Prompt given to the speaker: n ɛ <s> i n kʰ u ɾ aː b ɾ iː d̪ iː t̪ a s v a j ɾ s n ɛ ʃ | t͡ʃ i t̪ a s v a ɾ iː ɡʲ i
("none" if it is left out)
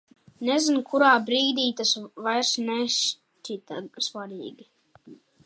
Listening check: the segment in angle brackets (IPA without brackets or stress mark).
z